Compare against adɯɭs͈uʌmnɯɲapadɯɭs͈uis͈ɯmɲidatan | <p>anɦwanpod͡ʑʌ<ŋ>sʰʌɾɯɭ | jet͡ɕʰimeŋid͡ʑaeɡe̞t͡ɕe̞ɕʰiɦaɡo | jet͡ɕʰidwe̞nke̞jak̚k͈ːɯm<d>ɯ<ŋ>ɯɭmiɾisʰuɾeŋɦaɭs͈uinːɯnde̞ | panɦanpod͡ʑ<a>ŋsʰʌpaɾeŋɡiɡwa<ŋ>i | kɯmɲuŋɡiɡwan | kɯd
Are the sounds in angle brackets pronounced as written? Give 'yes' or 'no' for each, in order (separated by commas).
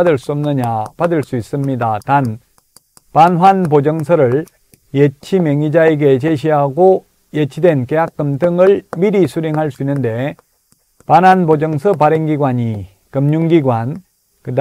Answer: yes, yes, yes, yes, no, no